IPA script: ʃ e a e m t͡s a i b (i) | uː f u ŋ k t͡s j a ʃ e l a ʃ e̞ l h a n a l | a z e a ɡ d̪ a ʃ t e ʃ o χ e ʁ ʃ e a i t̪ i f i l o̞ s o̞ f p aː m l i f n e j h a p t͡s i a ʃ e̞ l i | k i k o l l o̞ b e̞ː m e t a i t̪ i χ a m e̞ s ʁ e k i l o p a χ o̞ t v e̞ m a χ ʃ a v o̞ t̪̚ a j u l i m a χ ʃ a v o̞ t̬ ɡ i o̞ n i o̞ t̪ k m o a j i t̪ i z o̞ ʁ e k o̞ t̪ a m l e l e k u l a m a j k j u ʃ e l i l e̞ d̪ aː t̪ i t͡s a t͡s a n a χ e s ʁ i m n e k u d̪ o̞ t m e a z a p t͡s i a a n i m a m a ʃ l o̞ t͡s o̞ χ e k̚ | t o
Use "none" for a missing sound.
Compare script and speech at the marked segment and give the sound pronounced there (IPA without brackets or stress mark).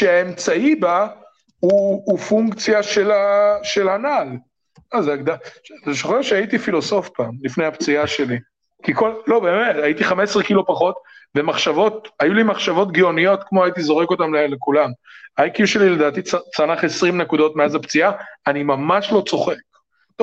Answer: a